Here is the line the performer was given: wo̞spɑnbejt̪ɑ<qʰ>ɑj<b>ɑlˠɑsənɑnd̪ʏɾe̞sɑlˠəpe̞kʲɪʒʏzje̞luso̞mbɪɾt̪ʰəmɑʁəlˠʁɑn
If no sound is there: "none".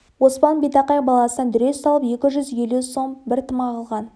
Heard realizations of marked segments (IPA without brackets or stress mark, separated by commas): q, b